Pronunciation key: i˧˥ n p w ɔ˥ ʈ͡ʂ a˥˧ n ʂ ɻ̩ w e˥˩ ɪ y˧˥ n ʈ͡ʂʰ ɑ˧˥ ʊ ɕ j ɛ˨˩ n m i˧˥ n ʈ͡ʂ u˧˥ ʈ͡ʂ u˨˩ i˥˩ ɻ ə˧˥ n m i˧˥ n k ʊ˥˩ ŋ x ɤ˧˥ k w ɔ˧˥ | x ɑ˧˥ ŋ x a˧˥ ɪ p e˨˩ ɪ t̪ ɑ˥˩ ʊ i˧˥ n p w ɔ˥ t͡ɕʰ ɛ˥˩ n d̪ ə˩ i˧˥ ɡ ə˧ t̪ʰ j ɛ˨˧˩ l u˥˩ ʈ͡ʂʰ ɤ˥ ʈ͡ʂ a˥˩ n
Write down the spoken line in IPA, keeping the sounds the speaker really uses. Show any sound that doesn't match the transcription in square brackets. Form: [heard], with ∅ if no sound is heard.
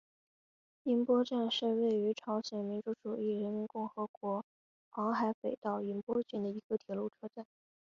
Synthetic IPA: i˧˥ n p w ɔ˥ ʈ͡ʂ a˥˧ n ʂ ɻ̩ w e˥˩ ɪ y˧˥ [∅] ʈ͡ʂʰ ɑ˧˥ ʊ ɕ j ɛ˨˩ n m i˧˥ n ʈ͡ʂ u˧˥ ʈ͡ʂ u˨˩ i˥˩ ɻ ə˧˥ n m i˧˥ n k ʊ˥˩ ŋ x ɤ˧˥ k w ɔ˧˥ | x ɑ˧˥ ŋ x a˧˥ ɪ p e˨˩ ɪ t̪ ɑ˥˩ ʊ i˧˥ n p w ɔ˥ [t͡ɕ] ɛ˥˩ n d̪ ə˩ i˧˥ ɡ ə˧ t̪ʰ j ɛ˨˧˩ l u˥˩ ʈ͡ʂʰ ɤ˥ ʈ͡ʂ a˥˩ n